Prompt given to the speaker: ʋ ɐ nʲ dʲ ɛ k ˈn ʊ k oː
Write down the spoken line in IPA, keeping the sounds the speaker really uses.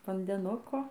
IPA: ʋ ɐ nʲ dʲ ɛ ˈn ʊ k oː

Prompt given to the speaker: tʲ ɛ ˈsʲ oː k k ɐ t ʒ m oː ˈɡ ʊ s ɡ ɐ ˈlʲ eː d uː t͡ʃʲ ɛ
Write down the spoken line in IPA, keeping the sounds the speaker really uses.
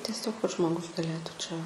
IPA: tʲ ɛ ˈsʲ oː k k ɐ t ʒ m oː ˈɡ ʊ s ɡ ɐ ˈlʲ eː t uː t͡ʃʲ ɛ

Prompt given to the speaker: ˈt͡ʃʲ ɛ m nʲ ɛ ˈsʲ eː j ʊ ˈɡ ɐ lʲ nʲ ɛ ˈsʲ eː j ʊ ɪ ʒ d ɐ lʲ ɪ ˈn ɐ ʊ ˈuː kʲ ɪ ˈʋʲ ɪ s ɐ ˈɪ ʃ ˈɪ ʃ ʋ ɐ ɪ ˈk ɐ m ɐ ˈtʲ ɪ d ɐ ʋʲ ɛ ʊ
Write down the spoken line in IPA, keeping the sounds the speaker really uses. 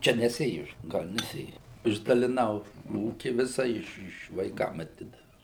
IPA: ˈt͡ʃʲ ɛ nʲ ɛ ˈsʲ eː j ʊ ˈɡ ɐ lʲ nʲ ɛ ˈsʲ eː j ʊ ɪ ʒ d ɐ lʲ ɪ ˈn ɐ ʊ ˈuː kʲ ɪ ˈʋʲ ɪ s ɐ ˈɪ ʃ ˈɪ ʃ ʋ ɐ ɪ ˈk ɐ m ɐ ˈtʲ ɪ d ɐ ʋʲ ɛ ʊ

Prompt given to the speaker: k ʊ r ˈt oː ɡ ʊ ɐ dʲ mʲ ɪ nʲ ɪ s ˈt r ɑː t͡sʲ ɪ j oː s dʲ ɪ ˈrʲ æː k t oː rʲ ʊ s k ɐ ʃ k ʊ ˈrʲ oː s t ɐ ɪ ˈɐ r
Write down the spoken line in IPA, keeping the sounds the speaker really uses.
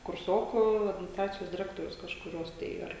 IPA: k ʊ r ˈs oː k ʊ ɐ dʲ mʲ ɪ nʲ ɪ s ˈt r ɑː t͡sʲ ɪ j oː s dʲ ɪ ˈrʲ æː k t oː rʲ ʊ s k ɐ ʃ k ʊ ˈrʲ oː s t ɐ ɪ ˈɐ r

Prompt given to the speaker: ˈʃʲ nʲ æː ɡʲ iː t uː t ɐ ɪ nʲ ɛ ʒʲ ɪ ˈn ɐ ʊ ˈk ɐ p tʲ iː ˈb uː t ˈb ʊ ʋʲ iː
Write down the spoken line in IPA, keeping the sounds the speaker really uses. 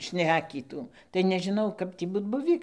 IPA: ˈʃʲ nʲ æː kʲ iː t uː t ɐ ɪ nʲ ɛ ʒʲ ɪ ˈn ɐ ʊ ˈk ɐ p tʲ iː ˈb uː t ˈb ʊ ʋʲ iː

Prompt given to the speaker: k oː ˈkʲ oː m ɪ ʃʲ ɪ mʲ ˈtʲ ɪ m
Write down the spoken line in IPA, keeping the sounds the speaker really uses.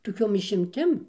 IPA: t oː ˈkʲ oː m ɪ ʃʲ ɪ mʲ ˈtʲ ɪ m

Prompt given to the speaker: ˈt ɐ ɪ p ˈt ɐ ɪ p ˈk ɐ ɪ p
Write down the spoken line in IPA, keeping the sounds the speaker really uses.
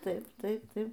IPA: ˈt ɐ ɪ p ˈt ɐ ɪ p ˈt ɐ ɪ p

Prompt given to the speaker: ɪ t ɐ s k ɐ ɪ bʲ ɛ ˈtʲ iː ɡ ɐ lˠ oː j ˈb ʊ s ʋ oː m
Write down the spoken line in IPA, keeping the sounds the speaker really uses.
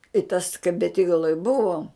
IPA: ɪ t ɐ s k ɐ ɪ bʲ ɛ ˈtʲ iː ɡ ɐ lˠ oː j ˈb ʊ ʋ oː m

